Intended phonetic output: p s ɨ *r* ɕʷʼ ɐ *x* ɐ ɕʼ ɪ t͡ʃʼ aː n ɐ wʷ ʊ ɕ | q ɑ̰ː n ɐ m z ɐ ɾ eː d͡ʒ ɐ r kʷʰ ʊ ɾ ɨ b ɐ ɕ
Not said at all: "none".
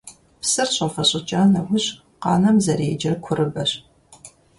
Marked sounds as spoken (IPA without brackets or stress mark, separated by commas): r, f